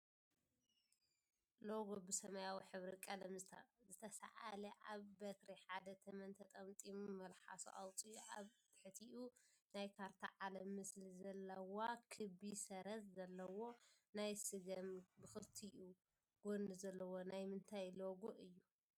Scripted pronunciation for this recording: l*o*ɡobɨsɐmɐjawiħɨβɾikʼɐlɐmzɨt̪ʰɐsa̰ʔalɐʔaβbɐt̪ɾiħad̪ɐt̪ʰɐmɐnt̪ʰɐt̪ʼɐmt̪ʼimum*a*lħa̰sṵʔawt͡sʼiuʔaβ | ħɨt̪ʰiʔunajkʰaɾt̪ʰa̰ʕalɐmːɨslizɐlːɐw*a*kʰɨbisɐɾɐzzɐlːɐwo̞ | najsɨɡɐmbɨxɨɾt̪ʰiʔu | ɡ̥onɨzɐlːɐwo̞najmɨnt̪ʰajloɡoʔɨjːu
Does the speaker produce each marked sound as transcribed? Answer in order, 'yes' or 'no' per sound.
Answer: yes, no, yes

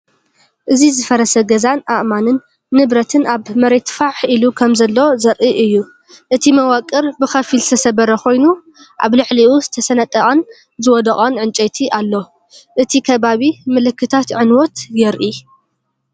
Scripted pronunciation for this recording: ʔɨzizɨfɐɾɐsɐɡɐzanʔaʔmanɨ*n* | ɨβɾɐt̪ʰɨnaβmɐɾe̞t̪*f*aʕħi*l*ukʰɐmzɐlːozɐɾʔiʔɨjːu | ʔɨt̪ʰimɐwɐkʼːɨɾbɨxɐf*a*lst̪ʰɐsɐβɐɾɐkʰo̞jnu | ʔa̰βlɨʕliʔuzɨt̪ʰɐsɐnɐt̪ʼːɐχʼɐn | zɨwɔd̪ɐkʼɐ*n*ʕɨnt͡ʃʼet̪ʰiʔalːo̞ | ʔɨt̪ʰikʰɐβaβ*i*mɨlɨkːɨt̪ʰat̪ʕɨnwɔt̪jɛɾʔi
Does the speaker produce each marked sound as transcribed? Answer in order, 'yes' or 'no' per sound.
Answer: no, yes, yes, no, yes, yes

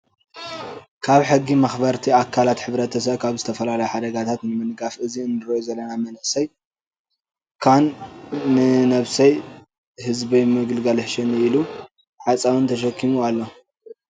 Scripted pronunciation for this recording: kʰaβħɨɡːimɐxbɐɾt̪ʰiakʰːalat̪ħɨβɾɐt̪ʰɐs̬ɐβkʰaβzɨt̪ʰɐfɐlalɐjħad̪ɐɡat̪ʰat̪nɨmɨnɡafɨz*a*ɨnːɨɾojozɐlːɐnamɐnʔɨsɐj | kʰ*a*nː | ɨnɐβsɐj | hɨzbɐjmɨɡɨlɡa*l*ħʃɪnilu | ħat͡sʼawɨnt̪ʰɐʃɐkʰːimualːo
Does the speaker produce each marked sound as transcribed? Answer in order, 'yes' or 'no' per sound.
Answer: no, yes, yes

